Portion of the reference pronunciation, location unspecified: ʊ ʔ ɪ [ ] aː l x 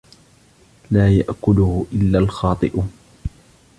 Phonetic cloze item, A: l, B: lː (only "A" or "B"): B